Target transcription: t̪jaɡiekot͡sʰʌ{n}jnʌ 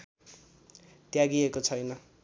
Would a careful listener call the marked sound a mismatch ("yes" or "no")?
yes